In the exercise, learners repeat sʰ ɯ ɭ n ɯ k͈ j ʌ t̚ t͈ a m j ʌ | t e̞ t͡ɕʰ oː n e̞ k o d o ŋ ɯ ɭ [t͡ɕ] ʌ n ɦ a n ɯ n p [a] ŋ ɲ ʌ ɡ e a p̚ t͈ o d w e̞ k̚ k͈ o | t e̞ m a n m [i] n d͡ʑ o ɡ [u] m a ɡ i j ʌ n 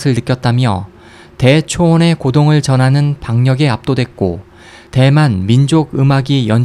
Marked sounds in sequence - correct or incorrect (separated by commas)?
correct, correct, correct, incorrect